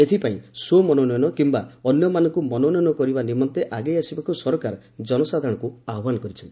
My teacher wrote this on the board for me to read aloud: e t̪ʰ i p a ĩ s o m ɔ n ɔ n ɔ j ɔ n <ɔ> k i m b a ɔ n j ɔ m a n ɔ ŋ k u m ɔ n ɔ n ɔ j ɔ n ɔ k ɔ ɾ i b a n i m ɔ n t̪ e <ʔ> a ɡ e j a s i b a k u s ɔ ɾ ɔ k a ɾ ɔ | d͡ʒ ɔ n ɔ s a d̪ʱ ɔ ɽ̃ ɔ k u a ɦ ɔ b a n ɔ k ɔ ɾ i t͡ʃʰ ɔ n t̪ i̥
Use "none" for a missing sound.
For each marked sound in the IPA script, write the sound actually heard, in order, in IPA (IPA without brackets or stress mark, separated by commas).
ɔ, ʔ